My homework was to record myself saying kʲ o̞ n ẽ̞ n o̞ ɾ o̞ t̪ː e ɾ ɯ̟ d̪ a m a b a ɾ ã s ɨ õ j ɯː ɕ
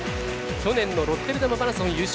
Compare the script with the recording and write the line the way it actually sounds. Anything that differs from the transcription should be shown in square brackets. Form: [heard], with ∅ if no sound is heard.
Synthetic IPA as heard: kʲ o̞ n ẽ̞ [nː] o̞ ɾ o̞ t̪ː e ɾ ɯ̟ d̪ a m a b a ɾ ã s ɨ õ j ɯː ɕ